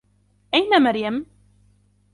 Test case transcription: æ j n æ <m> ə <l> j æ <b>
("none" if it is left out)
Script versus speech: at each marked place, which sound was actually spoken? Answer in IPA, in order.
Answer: m, ɾ, m

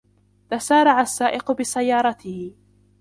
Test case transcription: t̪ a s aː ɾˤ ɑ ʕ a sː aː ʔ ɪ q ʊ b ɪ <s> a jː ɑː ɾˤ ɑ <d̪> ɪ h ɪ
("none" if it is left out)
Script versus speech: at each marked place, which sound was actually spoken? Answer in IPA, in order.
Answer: s, t̪

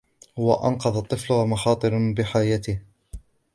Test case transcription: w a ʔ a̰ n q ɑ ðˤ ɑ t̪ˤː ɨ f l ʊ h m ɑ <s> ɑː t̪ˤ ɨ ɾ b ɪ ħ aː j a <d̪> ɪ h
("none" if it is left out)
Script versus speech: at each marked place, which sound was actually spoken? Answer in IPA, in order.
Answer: x, t̪

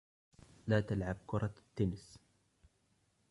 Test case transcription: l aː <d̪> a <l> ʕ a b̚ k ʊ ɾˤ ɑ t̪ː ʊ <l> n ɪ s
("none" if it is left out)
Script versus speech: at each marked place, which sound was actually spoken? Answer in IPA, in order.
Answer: t̪, l, none

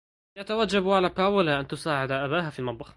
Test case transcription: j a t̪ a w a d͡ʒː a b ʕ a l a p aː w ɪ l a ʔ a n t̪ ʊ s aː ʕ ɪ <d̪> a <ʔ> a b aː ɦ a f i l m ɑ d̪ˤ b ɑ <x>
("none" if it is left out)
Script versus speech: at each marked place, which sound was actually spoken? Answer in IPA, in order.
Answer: d̪, ʔ, x

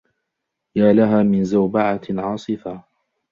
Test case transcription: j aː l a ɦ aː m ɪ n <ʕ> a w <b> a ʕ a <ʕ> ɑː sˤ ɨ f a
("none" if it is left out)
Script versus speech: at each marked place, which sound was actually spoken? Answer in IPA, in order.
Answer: z, b, ʕ

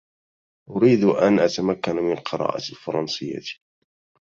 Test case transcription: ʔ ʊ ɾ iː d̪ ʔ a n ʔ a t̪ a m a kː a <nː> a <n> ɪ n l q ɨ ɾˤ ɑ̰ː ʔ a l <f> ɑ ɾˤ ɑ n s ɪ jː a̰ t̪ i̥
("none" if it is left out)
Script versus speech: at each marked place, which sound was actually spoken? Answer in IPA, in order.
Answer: n, m, f

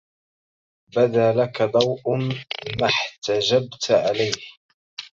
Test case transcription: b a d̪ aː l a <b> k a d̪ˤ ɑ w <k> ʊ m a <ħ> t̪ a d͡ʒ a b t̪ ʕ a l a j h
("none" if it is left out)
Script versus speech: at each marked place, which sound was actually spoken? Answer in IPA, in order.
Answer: none, ʔ, ħ

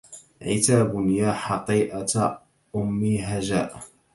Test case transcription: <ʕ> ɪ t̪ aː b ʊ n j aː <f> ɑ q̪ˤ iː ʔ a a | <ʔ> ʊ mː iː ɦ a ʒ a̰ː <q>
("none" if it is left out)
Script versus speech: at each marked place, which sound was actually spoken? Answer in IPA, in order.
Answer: ʕ, ħ, ʔ, ʔ

